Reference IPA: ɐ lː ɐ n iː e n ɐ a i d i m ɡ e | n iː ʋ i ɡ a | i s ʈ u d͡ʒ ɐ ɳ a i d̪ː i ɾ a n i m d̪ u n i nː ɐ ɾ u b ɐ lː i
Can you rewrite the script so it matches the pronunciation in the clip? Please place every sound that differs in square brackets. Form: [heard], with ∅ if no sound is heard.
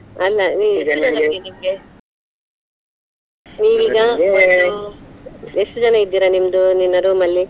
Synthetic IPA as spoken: ɐ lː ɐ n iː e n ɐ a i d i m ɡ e | n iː ʋ i ɡ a | [e] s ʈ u d͡ʒ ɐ [n] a i d̪ː i ɾ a n i m d̪ u n i nː ɐ ɾ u [m] ɐ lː i